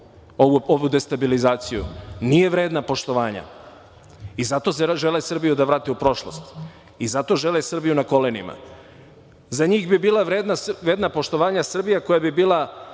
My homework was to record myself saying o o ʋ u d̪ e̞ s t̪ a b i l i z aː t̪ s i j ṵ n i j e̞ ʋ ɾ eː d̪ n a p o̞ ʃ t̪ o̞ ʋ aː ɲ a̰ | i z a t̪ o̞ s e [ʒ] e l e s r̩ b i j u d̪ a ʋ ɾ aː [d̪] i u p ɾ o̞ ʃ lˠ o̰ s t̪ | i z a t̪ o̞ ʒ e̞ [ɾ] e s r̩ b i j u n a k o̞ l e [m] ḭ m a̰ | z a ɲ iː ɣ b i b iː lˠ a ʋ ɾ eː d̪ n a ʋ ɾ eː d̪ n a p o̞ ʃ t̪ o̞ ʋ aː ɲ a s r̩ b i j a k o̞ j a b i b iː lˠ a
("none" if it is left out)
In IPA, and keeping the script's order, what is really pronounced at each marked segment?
ʒ, t̪, l, n

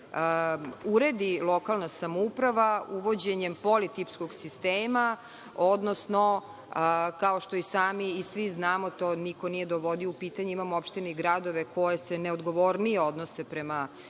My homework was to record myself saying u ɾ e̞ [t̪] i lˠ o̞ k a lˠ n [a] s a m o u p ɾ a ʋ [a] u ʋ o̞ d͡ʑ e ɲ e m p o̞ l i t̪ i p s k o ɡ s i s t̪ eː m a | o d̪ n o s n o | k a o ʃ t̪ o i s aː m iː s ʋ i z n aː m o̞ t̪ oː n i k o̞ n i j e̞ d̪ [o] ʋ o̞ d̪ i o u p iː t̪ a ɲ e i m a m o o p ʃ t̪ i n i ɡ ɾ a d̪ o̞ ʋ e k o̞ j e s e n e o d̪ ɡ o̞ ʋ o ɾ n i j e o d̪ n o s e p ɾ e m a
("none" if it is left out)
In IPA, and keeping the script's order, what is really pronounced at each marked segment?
d̪, a, a, o

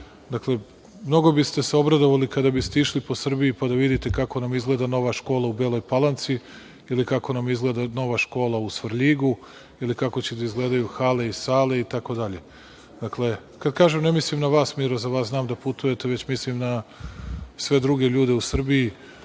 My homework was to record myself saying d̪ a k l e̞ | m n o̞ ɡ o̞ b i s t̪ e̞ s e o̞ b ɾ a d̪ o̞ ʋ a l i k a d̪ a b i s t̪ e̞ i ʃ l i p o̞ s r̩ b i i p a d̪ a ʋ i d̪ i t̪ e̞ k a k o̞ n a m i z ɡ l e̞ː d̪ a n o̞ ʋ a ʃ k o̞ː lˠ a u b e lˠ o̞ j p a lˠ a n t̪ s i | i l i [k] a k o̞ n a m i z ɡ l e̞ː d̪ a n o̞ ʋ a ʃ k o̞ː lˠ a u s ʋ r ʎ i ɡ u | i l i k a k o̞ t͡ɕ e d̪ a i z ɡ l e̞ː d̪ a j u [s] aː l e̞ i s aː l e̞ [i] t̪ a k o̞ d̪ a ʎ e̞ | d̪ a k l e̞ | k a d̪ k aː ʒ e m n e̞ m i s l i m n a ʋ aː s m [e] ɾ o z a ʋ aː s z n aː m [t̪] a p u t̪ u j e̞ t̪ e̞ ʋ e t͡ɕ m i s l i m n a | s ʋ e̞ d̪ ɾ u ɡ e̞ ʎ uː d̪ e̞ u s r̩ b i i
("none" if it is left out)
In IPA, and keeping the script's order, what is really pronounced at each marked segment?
k, x, i, i, d̪

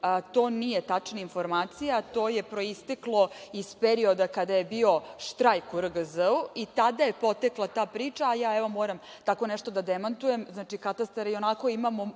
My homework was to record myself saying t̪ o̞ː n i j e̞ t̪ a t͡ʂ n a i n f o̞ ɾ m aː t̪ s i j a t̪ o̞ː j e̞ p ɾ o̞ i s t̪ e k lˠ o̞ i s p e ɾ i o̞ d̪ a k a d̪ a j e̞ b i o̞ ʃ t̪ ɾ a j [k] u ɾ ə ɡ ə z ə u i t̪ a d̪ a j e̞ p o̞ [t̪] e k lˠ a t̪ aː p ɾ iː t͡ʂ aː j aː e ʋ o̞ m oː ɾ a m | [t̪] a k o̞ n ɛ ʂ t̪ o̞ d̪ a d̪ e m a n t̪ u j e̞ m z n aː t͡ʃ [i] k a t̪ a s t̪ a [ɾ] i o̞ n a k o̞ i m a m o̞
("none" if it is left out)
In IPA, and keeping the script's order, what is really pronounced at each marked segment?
k, t̪, t̪, i, ɾ

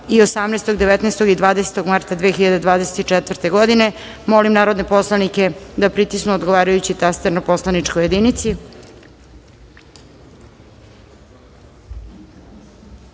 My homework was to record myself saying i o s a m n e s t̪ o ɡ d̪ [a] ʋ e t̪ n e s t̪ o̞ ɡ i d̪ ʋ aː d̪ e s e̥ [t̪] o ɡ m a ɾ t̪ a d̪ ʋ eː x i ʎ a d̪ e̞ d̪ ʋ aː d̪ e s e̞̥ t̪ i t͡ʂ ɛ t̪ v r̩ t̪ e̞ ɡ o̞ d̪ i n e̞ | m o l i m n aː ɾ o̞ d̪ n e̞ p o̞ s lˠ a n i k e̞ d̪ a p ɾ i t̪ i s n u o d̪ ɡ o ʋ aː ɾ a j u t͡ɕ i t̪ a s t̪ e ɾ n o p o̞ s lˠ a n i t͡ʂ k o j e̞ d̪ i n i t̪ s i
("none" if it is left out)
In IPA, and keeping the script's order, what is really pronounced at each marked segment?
e, t̪

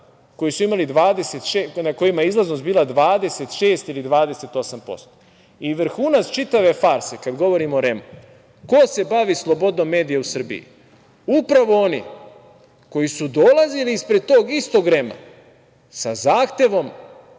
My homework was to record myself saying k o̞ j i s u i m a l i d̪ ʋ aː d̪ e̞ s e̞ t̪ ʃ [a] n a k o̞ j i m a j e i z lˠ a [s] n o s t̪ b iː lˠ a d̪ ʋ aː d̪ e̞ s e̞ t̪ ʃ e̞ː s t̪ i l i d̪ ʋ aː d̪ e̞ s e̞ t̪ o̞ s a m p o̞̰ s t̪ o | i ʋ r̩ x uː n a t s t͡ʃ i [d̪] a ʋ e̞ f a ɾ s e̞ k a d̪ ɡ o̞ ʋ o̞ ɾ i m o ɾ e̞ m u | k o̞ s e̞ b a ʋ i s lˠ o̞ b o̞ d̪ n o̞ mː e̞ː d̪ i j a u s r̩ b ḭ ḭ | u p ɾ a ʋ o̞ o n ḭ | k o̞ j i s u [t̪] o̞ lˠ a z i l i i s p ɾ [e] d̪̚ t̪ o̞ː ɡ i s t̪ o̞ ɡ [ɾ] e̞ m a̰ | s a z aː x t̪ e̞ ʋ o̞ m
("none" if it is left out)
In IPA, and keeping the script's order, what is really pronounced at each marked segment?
e, z, t̪, d̪, e, ɾ

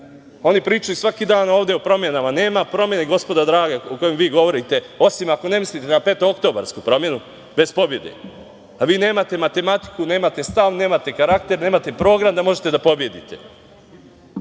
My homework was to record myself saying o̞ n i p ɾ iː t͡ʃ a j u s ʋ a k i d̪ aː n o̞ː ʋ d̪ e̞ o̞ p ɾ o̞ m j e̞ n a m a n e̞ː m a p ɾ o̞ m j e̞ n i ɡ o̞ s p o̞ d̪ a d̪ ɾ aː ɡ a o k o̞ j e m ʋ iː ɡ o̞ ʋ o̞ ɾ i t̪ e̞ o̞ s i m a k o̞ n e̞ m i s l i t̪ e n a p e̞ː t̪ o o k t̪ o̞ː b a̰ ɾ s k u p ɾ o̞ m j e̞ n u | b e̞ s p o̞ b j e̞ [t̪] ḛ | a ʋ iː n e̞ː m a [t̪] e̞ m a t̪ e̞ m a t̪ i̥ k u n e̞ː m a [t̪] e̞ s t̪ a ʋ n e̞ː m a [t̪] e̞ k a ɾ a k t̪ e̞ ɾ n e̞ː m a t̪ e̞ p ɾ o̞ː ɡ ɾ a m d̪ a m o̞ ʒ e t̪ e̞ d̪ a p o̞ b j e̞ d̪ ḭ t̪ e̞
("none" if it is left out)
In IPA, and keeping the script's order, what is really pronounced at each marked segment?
d̪, t̪, t̪, t̪

